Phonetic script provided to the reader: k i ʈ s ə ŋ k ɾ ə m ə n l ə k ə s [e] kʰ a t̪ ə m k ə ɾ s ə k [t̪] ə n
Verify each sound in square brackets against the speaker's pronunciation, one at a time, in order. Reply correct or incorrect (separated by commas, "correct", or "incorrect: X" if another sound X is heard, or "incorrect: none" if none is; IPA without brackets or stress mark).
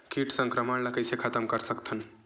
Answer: correct, incorrect: t̪ʰ